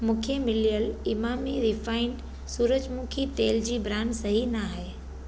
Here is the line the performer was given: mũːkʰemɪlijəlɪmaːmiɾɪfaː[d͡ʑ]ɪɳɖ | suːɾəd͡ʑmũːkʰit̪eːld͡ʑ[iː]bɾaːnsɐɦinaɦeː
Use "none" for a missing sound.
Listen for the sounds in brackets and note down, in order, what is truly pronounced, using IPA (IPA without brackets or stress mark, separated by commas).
none, iː